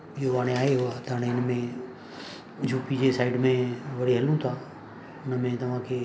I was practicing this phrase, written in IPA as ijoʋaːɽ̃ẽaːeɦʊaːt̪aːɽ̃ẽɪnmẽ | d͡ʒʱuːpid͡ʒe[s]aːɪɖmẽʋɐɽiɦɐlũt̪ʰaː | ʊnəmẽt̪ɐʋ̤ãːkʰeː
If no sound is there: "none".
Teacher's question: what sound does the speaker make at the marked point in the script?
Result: s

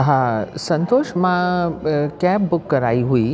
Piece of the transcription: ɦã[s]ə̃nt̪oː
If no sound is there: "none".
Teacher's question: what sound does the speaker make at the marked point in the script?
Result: s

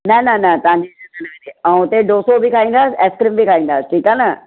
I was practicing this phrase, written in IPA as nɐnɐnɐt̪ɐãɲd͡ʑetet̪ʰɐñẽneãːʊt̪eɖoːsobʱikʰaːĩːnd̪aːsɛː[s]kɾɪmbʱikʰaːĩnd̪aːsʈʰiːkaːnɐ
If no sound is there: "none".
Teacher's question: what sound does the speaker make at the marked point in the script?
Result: s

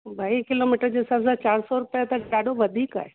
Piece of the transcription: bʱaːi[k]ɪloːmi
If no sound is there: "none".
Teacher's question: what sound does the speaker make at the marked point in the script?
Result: k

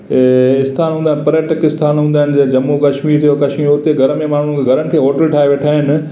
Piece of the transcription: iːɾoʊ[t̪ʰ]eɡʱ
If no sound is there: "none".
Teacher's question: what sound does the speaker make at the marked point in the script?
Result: t̪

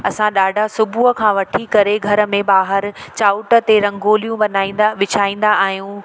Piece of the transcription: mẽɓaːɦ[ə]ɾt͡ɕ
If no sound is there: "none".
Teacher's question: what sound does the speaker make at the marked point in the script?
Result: ə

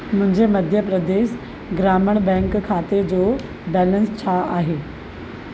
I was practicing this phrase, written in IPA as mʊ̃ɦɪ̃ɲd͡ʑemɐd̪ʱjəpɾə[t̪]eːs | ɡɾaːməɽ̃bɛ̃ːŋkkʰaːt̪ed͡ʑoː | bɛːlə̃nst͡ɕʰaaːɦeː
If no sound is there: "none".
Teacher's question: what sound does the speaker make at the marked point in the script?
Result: d̪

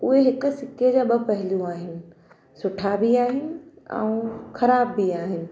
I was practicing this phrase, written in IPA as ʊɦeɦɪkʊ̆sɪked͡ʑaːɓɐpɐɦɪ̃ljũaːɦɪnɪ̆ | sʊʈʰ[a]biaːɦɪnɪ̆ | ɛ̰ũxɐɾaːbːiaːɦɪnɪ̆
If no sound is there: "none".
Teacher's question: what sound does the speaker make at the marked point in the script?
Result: a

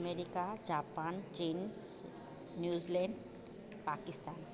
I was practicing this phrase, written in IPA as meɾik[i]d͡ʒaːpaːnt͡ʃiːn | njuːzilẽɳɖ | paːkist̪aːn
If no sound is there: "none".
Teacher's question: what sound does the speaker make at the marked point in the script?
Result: a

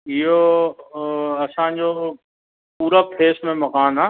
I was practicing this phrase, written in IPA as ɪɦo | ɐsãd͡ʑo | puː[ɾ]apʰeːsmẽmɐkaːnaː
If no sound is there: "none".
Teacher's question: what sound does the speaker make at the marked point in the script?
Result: ɾ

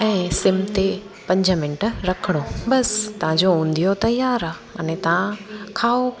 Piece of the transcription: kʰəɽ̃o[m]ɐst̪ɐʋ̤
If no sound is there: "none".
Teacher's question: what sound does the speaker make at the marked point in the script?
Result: b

